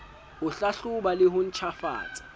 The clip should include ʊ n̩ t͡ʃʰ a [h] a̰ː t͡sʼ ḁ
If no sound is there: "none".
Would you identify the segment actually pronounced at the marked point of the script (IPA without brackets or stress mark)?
f